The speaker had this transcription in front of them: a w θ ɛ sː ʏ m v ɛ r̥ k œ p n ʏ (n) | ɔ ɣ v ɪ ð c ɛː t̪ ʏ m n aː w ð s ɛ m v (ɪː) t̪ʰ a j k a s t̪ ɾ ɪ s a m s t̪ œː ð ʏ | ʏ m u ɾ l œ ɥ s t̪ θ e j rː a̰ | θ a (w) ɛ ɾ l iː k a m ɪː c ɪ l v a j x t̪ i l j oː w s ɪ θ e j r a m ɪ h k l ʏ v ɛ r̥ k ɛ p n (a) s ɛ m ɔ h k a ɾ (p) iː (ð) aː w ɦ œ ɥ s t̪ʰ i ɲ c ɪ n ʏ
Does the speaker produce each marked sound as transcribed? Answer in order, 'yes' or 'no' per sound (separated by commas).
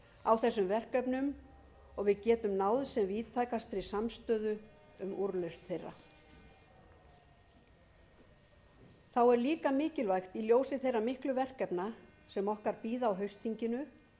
no, no, yes, yes, yes, yes